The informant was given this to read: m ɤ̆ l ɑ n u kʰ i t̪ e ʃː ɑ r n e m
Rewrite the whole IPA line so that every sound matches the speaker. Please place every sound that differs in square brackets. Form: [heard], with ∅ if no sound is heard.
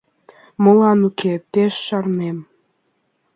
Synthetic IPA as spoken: m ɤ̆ l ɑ n u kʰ [e] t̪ e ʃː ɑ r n e m